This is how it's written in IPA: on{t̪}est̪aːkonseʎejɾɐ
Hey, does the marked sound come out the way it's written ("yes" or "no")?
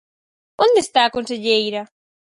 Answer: no